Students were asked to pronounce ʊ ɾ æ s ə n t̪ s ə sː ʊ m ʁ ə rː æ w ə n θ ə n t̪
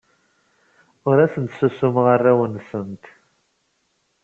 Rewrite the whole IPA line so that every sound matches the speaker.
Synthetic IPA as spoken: ʊ ɾ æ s ə n t̪ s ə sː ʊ m ʁ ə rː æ w ə n s ə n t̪